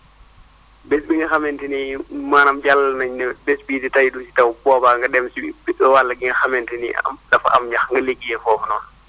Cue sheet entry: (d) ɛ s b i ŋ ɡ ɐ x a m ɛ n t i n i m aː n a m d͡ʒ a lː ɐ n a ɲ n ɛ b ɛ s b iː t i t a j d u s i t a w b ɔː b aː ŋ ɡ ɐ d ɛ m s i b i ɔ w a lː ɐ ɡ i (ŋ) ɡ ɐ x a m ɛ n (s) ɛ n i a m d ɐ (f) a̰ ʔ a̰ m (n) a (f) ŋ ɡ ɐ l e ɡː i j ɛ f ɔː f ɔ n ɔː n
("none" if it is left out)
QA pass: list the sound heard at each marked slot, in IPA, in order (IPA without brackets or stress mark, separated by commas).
b, ŋ, t, f, ɲ, x